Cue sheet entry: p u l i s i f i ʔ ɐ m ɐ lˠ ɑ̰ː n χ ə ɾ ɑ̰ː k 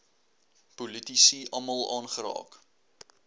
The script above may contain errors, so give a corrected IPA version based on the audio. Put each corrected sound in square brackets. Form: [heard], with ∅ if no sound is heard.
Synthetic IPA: p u l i [t] i [s] i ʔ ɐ m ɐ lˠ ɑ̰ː n χ ə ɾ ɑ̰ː k